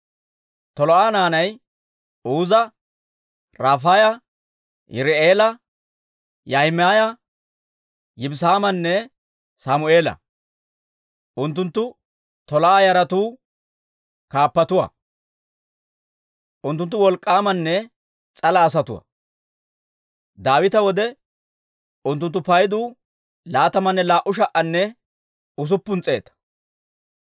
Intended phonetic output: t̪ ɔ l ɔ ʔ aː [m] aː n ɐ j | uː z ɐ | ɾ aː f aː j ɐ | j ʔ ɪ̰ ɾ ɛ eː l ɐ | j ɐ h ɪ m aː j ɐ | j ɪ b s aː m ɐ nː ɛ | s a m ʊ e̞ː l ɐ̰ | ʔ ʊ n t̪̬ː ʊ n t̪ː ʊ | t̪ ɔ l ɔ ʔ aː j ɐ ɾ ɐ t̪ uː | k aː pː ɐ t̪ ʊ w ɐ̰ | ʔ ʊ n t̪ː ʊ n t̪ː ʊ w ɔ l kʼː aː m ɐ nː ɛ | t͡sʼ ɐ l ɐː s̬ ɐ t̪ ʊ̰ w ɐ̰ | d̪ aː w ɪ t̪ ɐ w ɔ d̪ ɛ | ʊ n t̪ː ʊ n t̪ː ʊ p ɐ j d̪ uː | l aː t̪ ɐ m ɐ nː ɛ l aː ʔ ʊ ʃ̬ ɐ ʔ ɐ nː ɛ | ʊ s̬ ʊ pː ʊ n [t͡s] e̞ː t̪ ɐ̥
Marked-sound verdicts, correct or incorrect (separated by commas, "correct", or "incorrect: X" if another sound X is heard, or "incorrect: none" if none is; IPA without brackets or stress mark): incorrect: n, incorrect: t͡sʼ